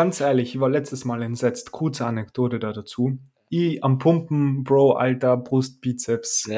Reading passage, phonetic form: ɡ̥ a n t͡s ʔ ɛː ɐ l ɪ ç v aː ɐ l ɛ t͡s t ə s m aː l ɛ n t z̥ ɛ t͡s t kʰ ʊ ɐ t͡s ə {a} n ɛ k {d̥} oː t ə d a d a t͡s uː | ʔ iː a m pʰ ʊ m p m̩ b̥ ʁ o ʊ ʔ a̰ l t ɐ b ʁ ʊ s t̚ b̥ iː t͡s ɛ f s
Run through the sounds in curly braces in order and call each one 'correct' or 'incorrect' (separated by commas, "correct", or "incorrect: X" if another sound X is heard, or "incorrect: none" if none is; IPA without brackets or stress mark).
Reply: correct, correct